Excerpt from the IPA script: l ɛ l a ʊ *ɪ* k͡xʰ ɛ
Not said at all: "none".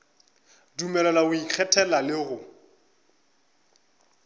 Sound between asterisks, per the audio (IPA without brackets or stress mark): i